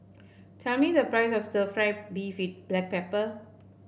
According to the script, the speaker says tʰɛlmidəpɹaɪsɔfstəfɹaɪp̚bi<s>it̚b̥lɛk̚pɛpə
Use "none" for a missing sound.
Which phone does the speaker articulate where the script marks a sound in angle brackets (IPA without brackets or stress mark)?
f